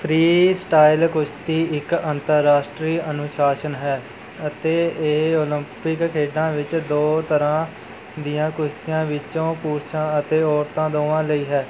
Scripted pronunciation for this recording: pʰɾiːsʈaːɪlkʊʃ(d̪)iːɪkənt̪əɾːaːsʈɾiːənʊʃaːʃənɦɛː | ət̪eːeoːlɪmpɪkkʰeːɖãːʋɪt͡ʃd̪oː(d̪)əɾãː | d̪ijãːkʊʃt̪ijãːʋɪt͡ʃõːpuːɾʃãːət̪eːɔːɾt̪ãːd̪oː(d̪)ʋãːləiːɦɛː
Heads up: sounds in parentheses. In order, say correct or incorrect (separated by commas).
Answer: incorrect, incorrect, incorrect